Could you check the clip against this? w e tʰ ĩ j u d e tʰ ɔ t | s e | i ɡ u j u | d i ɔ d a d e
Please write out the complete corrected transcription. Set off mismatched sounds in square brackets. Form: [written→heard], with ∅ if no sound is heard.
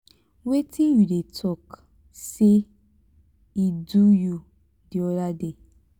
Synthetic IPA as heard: w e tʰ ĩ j u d e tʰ ɔ [t→k] | s e | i [ɡ→d] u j u | d i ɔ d a d e